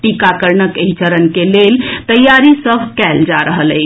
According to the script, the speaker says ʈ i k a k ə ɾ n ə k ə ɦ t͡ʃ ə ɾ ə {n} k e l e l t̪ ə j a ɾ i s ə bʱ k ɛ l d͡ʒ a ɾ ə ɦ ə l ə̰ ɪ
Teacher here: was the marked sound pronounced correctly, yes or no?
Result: yes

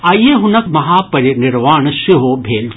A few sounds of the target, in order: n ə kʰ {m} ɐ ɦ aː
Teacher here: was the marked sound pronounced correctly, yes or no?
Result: yes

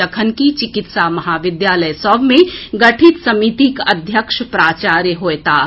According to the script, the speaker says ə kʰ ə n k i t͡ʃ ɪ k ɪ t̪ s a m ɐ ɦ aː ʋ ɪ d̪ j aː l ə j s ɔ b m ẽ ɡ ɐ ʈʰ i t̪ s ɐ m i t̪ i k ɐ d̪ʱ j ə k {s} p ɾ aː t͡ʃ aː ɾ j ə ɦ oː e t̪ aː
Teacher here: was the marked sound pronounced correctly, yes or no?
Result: no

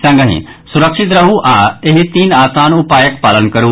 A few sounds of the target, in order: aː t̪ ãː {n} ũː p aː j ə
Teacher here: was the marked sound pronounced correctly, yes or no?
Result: yes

